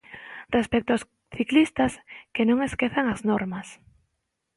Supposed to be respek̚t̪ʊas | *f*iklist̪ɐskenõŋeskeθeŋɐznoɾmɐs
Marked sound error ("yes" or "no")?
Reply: yes